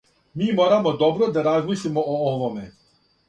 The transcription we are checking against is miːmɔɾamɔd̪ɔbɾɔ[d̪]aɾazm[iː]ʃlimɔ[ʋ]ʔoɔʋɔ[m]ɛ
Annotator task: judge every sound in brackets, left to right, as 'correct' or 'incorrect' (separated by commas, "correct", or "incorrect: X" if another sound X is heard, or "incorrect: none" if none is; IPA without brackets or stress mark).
correct, incorrect: i, incorrect: none, correct